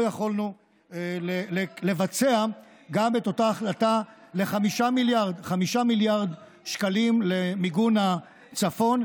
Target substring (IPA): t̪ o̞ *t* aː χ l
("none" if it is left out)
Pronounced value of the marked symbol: t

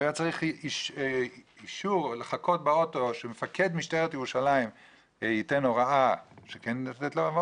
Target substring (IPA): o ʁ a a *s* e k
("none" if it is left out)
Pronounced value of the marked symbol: ʃ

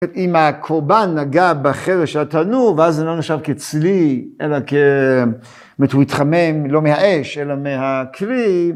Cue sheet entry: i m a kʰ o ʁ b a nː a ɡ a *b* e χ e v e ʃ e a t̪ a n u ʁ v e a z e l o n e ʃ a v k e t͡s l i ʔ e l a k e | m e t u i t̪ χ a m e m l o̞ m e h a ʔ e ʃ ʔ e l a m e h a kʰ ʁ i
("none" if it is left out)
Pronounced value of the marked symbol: b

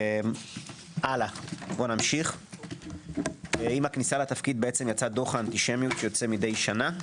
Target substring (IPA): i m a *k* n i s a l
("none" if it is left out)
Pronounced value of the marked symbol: k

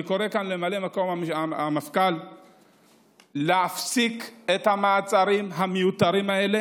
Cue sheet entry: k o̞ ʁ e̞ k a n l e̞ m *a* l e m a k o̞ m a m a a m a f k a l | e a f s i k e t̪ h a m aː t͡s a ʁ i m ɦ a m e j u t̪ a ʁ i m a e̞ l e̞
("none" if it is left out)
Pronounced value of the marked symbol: a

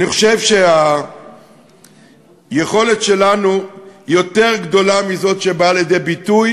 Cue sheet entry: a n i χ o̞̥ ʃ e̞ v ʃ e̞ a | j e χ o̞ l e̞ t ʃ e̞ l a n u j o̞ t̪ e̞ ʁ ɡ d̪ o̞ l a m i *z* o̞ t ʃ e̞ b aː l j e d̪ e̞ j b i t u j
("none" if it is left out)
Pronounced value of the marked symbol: z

